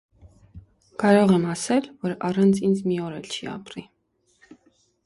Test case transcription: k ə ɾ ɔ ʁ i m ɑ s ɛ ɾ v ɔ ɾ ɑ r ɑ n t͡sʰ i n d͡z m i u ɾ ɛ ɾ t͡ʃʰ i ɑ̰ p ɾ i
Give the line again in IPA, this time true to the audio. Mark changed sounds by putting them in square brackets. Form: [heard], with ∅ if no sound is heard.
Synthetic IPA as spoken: k [ɑ] ɾ ɔ ʁ [ɛ] m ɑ s ɛ [l] v ɔ ɾ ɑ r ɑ n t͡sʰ i n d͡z m i [ɔ] ɾ ɛ [l] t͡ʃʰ i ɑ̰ p ɾ i